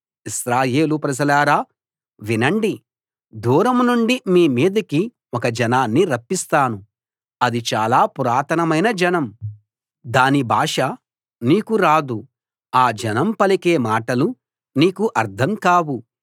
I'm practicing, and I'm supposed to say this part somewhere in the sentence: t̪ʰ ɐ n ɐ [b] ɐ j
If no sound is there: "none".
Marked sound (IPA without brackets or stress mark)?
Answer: m